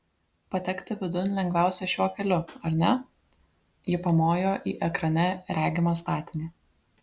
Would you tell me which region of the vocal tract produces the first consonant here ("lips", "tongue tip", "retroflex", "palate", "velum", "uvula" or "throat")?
lips